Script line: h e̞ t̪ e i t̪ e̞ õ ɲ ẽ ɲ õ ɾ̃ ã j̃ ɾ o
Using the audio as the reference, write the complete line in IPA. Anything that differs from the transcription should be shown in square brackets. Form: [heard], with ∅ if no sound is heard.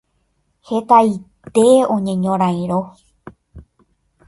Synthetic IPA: h e̞ t̪ [a] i t̪ e̞ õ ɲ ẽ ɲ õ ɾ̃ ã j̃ ɾ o